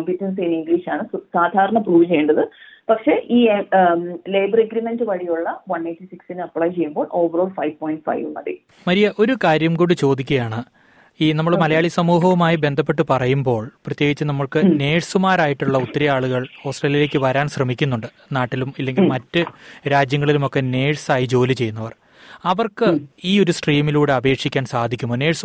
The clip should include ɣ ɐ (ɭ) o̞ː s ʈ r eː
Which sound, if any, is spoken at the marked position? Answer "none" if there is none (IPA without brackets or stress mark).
ɭ